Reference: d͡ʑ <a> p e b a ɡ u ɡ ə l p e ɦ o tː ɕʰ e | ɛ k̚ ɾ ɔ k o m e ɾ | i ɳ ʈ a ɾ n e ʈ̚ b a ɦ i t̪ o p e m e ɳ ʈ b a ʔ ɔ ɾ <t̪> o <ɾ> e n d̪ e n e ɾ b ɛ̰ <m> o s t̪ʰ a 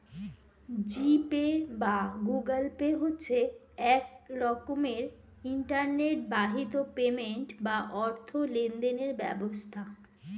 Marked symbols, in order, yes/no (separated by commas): no, no, no, no